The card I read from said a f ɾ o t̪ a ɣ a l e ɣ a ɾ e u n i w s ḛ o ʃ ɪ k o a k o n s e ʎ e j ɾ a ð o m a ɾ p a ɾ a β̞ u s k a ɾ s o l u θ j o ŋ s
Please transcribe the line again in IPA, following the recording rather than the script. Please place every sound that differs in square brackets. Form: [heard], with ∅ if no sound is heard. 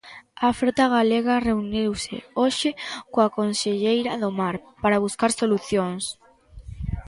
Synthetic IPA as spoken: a f ɾ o t̪ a ɣ a l e ɣ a [r] e u n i w s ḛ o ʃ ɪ k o a k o n s e ʎ e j ɾ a ð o m a ɾ p a ɾ a β̞ u s k a ɾ s o l u θ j o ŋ s